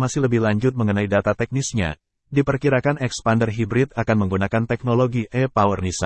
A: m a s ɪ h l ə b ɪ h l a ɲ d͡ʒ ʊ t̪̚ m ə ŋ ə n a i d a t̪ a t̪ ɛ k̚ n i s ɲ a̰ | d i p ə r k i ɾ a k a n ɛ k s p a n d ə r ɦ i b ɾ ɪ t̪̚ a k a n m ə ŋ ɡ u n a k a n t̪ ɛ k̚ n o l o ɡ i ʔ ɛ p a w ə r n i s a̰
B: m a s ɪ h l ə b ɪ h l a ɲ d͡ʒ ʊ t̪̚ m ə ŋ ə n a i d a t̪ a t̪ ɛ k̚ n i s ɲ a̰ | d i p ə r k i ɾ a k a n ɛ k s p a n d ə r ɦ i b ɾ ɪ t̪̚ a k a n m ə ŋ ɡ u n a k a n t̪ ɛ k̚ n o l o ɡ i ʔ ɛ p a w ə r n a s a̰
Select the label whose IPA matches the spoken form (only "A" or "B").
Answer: A